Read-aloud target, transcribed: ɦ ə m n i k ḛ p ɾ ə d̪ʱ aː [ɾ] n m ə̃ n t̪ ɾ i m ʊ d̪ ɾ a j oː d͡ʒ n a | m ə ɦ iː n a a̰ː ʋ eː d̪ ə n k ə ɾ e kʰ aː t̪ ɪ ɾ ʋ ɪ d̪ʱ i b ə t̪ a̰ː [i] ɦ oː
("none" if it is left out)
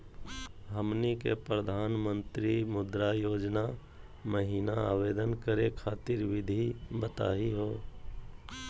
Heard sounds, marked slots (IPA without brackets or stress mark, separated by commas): none, i